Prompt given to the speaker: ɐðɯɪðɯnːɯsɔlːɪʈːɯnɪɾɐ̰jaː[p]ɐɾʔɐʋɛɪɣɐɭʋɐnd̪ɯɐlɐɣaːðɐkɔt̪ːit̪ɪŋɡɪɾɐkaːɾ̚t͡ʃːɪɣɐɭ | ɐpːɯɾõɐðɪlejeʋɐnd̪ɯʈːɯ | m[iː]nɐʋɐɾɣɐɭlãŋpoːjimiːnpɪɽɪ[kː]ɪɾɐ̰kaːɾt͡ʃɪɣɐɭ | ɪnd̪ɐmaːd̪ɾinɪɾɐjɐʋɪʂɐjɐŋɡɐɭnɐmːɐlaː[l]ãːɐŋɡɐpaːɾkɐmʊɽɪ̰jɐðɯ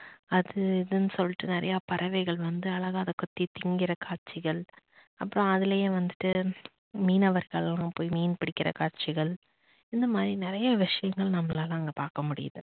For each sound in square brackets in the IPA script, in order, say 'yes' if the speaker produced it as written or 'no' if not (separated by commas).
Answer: yes, yes, yes, yes